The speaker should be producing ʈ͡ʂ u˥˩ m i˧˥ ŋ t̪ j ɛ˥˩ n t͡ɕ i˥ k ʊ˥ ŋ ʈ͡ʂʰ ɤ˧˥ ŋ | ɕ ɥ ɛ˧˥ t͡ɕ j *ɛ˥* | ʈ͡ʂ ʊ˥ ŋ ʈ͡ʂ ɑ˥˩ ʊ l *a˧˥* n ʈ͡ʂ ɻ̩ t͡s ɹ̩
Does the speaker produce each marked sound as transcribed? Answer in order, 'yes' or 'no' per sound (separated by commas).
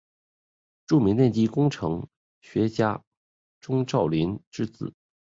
no, no